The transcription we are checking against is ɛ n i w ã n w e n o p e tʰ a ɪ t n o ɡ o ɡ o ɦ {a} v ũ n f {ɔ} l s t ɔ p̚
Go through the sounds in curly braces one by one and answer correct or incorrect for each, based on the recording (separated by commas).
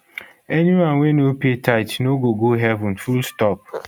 incorrect, incorrect